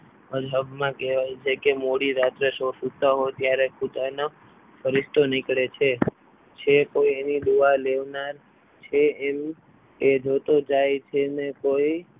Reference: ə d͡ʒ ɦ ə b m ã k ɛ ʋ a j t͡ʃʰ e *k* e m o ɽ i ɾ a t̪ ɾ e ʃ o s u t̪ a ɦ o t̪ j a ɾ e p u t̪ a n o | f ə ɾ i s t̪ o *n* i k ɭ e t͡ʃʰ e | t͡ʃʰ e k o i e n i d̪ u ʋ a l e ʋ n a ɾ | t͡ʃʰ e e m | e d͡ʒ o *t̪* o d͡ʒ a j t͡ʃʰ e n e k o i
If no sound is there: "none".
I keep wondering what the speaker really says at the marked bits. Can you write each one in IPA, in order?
k, n, t̪

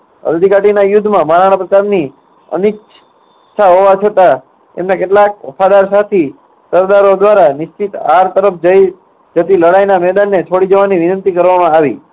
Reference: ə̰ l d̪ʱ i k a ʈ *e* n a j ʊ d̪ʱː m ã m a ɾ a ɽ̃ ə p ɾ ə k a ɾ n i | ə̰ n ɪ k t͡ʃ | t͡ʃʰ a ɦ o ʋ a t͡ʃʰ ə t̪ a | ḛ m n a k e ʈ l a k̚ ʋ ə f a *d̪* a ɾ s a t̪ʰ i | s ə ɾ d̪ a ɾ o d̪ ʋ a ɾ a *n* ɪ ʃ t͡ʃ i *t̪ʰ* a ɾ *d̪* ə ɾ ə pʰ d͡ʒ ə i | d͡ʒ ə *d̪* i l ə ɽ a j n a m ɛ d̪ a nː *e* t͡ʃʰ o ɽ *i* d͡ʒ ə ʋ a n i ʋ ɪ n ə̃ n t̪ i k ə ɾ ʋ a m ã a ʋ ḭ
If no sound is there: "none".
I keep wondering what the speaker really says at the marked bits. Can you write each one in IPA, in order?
i, d̪, n, t̪, t̪, t̪, e, i

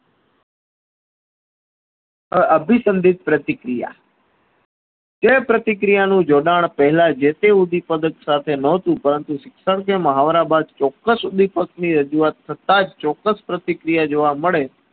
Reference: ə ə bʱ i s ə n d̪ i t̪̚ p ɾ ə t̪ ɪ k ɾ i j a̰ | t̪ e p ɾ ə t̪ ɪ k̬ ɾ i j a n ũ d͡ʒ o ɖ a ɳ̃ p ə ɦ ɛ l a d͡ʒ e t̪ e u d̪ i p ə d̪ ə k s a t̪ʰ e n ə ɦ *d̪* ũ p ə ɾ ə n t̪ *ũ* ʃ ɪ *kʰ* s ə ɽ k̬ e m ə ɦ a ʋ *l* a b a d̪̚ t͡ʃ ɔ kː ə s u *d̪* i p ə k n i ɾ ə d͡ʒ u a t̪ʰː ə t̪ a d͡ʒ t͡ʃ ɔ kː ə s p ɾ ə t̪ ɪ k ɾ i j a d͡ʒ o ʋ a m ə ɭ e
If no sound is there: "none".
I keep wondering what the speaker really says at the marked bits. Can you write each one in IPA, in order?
t̪, u, k, ɾ, d̪

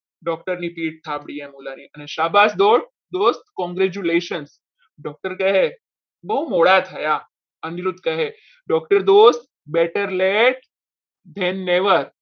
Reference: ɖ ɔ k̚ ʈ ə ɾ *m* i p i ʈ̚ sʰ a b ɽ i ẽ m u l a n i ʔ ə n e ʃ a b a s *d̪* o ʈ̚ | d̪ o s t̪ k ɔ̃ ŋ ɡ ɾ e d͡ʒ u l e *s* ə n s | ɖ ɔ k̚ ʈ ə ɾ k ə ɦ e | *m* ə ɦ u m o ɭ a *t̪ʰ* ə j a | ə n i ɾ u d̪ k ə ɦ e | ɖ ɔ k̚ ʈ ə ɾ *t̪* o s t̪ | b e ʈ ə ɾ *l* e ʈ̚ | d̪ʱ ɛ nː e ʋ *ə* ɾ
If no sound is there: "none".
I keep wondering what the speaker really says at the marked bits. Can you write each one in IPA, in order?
n, d̪, ʃ, b, t̪ʰ, d̪, l, ə

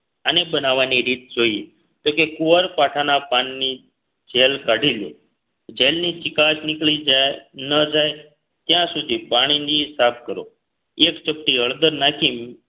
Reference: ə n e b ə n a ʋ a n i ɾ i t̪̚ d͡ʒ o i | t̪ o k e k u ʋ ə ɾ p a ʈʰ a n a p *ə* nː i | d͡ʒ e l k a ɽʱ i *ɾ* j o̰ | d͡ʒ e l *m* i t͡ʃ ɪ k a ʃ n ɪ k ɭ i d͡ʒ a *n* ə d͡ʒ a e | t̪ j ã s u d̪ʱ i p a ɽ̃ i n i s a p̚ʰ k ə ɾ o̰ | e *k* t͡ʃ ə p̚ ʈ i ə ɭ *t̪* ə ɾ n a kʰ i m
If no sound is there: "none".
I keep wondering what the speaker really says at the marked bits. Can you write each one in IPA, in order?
a, l, n, n, k, d̪

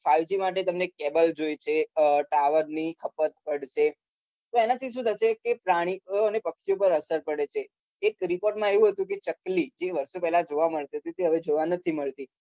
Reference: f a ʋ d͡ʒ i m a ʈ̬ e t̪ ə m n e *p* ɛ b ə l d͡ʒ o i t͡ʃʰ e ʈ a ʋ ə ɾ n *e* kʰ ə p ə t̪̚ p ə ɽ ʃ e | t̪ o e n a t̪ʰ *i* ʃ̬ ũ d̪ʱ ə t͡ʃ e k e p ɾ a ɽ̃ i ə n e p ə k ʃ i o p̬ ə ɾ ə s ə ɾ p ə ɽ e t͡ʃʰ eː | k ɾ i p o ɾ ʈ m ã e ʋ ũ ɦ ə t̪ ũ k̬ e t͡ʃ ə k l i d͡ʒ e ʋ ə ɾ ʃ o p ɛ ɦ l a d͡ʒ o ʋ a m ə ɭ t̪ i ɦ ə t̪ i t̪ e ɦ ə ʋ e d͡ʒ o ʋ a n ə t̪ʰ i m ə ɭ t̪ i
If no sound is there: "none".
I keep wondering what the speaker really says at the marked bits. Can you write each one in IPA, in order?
k, i, i

